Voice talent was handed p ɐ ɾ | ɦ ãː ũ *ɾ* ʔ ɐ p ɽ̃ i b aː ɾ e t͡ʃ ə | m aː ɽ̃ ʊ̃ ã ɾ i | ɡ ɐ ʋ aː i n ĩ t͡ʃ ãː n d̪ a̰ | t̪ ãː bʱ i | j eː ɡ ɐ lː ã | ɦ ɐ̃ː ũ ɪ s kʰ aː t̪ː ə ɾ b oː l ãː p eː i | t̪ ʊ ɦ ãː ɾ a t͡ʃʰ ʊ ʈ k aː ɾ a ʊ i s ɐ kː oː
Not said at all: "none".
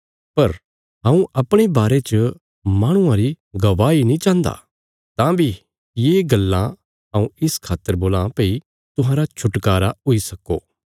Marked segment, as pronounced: none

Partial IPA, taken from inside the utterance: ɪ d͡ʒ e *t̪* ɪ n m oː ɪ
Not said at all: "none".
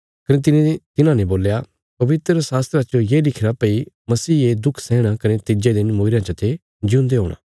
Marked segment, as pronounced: d̪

